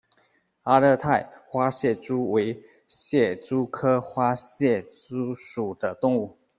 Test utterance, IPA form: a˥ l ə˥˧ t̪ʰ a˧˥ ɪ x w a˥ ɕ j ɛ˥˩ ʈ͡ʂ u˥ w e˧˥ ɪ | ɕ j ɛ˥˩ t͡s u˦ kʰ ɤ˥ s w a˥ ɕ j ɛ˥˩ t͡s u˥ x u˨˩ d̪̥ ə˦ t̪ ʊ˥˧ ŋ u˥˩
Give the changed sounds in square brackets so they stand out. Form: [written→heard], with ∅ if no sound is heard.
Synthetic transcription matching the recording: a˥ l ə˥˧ t̪ʰ [a˧˥→a˥˨] ɪ x w a˥ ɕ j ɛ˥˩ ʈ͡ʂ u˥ w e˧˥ ɪ | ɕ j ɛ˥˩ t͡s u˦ kʰ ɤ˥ [s→x] w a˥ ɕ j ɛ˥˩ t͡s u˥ [x→ʂ] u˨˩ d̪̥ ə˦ t̪ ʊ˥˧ ŋ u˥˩